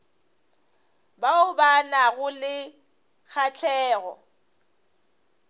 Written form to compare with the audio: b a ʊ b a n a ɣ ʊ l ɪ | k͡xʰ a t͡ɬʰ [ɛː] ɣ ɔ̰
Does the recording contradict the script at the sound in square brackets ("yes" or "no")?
no